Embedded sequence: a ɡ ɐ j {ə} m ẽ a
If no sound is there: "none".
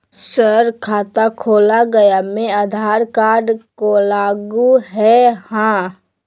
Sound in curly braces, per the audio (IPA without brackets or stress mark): a